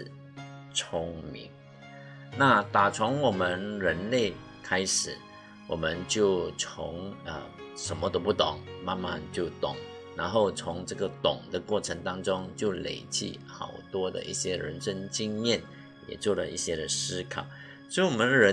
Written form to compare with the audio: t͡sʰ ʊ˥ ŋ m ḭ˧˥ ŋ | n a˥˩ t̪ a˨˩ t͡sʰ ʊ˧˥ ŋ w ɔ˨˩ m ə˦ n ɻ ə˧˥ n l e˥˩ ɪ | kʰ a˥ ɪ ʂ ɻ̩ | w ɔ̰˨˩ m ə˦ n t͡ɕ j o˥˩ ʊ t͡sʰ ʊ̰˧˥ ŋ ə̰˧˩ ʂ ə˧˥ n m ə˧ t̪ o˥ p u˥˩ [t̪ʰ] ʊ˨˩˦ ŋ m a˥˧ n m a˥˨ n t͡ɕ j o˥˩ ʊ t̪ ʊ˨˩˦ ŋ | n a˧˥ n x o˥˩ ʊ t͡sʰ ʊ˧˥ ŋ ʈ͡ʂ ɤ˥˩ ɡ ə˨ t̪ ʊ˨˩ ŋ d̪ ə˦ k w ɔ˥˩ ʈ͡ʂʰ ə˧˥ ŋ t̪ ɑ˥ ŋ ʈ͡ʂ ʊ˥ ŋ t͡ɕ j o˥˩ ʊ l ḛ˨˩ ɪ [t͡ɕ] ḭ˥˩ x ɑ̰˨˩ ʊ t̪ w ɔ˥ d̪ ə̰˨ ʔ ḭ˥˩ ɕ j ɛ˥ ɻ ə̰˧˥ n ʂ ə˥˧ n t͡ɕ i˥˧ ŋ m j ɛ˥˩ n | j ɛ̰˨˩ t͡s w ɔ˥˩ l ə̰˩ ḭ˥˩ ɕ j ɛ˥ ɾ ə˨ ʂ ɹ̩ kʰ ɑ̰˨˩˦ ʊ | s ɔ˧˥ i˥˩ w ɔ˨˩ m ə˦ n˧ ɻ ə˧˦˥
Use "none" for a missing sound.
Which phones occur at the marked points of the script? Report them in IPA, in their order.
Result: t̪, t͡ɕ

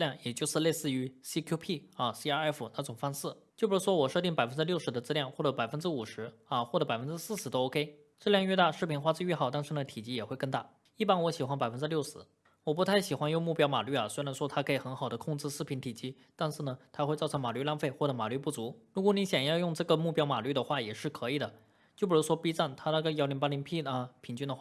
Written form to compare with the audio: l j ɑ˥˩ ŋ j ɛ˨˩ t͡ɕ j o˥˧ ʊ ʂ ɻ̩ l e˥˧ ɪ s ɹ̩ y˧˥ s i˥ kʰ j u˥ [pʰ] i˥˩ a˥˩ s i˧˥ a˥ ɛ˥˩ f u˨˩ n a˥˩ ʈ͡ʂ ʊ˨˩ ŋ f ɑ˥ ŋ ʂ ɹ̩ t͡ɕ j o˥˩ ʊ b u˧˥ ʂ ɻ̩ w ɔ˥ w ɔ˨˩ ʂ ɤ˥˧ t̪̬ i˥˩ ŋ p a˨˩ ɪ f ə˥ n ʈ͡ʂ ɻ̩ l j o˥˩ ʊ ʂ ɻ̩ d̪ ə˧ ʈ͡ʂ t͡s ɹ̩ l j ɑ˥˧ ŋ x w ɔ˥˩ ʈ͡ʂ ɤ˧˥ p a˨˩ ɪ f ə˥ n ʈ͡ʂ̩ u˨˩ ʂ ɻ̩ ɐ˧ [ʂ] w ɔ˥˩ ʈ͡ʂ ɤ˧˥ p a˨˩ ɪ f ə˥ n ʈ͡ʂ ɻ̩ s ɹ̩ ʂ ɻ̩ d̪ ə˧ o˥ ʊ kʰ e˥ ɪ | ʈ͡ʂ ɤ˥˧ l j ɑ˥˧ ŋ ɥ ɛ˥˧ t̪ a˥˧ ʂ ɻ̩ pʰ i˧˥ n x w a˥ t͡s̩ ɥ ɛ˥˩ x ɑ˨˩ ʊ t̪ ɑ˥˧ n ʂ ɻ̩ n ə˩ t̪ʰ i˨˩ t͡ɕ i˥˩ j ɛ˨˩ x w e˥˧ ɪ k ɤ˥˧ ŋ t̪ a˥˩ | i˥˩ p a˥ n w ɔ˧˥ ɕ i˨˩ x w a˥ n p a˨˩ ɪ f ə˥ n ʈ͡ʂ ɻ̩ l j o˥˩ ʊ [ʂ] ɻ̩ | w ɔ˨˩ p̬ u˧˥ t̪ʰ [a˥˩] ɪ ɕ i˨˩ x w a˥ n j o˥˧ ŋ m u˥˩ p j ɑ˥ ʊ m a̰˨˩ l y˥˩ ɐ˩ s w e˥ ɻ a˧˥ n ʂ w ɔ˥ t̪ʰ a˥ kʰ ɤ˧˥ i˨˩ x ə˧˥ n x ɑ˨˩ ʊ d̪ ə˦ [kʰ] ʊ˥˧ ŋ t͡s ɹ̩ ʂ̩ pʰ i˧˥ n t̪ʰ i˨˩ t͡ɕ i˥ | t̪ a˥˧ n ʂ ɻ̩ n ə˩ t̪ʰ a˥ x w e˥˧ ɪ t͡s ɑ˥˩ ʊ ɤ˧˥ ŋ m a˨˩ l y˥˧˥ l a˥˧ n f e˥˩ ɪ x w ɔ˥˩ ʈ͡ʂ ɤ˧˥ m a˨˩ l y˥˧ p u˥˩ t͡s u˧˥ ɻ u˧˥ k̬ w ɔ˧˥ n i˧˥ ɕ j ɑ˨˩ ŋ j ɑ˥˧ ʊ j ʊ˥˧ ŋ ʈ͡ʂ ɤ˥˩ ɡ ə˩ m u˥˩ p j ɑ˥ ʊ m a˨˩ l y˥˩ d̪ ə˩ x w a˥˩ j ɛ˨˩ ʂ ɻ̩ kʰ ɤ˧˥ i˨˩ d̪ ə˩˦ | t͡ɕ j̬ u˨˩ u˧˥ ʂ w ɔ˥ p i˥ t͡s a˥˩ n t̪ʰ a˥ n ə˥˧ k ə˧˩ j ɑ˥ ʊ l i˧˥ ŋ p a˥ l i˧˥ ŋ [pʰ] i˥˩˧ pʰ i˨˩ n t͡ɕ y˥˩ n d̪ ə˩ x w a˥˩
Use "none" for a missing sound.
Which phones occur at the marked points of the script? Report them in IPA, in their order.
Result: pʰ, x, ʂ, a˥˩, kʰ, pʰ

